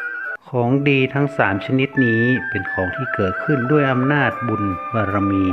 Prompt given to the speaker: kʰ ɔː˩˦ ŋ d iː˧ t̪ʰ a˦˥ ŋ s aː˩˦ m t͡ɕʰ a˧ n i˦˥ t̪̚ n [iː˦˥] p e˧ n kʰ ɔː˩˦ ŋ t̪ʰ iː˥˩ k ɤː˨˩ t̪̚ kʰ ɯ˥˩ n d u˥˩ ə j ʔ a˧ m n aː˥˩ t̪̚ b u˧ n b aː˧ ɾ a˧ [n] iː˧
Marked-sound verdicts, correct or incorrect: correct, incorrect: m

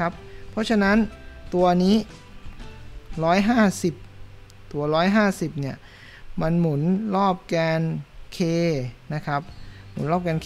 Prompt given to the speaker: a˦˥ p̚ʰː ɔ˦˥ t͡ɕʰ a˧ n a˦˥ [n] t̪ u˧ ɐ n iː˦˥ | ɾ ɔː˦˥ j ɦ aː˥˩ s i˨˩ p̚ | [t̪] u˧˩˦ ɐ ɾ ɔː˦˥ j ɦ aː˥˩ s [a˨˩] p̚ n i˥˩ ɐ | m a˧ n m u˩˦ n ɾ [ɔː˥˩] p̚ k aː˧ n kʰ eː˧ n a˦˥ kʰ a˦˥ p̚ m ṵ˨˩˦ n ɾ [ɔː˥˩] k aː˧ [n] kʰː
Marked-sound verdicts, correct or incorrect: correct, correct, incorrect: i˨˩, correct, correct, correct

